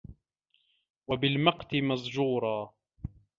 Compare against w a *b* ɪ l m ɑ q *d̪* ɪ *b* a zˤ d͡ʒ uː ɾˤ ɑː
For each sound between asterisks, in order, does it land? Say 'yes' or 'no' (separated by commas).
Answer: yes, no, no